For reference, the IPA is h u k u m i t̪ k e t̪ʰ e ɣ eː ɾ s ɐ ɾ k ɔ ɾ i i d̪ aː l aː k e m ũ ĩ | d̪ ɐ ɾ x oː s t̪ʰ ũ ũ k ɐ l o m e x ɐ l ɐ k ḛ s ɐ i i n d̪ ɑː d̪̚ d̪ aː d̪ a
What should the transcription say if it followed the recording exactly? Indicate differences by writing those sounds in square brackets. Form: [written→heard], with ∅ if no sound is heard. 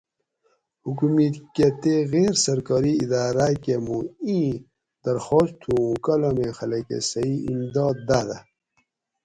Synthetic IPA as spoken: h u k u m i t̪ k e [t̪ʰ→t̪] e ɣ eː ɾ s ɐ ɾ k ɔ ɾ i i d̪ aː [l→ɾ] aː k e m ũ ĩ | d̪ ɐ ɾ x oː s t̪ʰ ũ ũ k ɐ l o m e x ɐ l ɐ k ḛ s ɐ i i [n→m] d̪ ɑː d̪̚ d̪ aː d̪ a